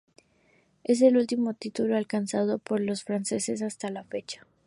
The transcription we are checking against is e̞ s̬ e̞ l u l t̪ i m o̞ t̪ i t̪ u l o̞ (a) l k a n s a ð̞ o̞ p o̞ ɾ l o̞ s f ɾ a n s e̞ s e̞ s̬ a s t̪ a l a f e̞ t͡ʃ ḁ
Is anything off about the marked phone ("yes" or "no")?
no